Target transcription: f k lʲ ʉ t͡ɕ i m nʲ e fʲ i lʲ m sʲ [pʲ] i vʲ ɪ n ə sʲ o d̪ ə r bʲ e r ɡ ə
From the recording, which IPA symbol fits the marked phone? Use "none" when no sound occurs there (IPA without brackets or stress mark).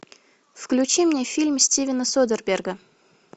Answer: tʲ